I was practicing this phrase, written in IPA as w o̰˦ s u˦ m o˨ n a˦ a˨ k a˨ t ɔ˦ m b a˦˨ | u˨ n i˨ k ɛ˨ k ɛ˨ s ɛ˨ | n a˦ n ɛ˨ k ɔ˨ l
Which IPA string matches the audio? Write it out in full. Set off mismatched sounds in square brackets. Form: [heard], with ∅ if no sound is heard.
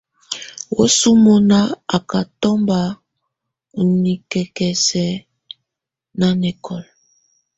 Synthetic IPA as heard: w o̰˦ s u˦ m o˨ n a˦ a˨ k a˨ t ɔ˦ m b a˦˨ | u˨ n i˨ k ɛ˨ k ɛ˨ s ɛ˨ | n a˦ n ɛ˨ k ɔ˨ l